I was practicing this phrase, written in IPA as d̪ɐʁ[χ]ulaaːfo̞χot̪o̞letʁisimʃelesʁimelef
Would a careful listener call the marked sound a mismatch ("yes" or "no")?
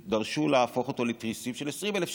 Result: yes